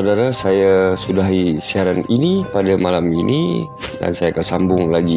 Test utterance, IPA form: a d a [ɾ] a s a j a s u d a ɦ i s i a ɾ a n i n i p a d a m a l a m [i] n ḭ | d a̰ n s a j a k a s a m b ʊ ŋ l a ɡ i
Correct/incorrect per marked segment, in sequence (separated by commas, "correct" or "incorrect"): correct, correct